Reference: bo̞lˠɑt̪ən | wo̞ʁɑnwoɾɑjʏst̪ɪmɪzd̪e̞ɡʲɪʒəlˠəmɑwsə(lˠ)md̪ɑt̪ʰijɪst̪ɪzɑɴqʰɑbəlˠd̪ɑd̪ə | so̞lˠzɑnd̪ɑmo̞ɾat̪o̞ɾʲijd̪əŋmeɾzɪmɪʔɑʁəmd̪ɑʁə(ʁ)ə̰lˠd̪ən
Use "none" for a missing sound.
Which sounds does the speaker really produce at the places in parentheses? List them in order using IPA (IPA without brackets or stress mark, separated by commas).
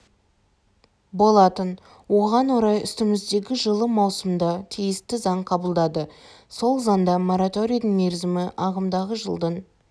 none, ʒ